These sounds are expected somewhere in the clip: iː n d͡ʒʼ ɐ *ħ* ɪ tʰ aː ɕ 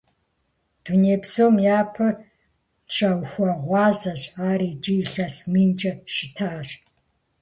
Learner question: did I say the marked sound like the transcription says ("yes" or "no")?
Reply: no